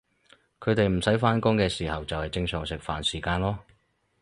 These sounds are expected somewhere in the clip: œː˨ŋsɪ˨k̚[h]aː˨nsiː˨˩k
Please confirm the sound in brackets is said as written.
no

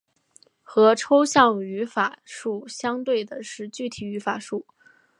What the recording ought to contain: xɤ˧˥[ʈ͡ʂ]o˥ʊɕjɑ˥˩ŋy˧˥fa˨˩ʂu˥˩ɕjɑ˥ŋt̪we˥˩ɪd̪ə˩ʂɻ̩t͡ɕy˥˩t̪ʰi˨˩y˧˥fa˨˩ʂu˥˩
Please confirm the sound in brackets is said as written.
no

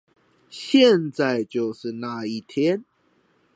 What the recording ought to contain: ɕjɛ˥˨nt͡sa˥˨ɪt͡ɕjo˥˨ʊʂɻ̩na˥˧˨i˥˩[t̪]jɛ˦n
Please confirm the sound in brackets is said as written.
no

